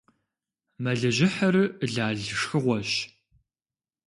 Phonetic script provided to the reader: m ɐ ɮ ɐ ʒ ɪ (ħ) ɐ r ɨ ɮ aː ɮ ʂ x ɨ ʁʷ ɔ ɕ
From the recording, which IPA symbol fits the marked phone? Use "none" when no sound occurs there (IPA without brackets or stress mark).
ħ